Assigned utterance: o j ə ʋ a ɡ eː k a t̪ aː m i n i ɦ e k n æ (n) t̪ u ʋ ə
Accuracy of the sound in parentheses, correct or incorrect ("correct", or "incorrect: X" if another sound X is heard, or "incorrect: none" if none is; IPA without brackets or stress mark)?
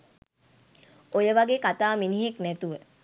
incorrect: none